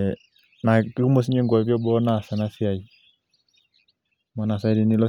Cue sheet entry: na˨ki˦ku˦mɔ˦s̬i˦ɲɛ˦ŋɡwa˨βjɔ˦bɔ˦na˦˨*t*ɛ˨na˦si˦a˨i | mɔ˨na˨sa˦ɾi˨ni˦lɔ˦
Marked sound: incorrect: s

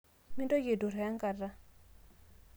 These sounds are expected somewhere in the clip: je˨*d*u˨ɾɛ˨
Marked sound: correct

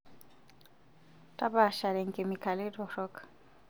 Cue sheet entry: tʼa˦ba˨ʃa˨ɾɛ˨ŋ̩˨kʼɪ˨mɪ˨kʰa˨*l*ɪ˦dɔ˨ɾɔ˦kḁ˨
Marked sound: correct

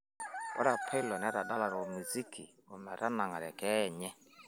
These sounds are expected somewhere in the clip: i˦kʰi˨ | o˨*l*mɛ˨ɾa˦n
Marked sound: incorrect: none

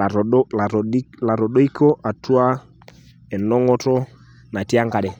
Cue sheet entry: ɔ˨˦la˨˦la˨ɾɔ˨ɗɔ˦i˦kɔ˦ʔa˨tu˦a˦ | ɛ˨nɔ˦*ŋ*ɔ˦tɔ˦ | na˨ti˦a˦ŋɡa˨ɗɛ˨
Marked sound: correct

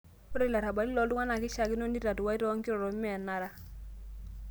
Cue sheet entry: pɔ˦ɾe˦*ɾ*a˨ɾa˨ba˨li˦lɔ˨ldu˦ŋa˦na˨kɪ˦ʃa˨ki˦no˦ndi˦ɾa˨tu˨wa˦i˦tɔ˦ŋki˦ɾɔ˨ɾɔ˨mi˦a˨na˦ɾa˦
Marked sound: incorrect: l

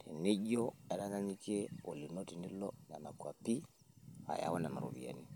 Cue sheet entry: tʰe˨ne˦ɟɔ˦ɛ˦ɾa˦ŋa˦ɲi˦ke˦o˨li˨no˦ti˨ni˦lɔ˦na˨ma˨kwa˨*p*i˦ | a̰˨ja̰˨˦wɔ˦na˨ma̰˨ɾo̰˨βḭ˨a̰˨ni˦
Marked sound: correct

